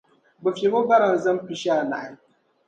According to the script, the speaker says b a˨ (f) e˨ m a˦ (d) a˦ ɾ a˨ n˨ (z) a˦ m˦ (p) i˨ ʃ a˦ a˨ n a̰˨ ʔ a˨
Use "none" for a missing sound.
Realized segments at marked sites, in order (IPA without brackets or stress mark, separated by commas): f, b, z, p